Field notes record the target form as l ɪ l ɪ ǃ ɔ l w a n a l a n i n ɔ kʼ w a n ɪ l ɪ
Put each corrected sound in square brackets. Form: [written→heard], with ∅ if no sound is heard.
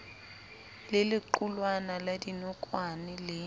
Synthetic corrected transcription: l ɪ l ɪ ǃ [ɔ→u] l w a n a l a [n→d] i n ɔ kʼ w a n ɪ l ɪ

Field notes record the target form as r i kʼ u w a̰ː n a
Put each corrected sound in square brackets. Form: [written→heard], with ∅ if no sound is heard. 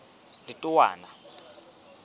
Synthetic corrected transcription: [r→l] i [kʼ→tʼ] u w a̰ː n a

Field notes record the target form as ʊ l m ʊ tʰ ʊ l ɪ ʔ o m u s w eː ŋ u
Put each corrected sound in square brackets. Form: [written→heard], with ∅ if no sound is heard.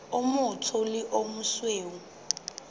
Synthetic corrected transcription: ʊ [l→∅] m ʊ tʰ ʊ l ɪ ʔ o m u s w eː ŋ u

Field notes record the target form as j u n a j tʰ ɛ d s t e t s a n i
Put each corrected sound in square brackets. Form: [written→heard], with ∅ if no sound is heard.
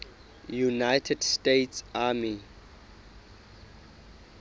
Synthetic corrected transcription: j u n a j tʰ ɛ d s t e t s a [n→m] i

